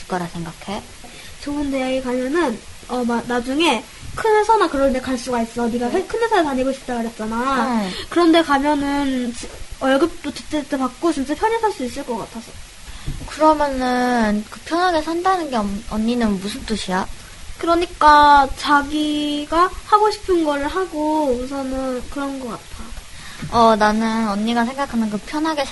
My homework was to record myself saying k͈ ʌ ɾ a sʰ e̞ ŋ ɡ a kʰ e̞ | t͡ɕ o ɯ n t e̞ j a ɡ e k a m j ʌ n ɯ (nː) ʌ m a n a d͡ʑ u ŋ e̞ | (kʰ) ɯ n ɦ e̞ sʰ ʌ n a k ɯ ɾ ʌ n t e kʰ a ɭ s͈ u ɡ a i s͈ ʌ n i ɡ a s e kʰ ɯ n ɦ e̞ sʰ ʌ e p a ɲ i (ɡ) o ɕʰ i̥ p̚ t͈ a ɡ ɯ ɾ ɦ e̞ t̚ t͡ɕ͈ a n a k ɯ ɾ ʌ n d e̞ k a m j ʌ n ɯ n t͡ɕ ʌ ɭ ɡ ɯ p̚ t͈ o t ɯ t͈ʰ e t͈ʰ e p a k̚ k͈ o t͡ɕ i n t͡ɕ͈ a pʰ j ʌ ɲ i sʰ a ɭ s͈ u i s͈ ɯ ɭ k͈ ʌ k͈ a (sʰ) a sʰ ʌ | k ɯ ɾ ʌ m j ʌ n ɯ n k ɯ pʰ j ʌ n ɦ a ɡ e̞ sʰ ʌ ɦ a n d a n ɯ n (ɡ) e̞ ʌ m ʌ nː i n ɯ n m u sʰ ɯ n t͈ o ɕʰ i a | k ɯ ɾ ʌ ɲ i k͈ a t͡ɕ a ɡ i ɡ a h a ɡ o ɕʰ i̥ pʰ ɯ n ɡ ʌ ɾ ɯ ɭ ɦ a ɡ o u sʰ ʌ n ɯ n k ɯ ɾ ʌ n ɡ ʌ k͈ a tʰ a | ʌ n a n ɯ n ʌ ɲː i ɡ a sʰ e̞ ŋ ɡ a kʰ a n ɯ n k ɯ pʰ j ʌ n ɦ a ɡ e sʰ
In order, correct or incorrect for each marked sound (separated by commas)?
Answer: incorrect, correct, correct, incorrect, correct